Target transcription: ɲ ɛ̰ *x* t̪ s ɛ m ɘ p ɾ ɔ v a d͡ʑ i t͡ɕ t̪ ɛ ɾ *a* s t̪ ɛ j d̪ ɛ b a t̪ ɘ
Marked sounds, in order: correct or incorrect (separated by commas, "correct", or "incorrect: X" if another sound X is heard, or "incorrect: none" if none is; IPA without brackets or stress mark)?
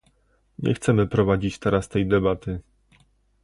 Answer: correct, correct